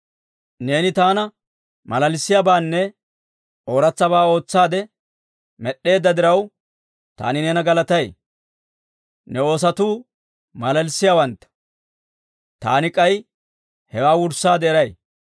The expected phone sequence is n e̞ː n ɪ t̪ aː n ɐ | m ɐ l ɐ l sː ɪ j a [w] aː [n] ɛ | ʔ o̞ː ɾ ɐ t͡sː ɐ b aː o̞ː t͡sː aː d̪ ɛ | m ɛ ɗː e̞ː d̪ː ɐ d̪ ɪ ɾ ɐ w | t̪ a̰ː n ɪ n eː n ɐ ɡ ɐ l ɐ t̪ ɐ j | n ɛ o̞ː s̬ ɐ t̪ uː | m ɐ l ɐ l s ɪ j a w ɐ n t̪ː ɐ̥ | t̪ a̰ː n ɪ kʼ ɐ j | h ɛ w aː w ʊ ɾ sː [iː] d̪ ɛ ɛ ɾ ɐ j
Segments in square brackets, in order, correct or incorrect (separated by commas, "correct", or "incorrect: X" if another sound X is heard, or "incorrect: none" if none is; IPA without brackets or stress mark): incorrect: b, incorrect: nː, incorrect: aː